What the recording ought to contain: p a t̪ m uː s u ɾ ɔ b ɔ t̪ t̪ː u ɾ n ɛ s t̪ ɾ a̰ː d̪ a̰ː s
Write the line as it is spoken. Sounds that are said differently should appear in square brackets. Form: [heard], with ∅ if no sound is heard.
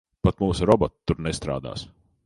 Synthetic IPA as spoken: p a t̪ m uː s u ɾ ɔ b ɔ t̪ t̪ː u ɾ n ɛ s t̪ ɾ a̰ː d̪ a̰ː s